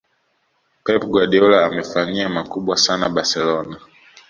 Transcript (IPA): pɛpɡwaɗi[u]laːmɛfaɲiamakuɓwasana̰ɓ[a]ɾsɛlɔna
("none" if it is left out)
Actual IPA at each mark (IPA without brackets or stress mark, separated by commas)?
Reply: ɔ, a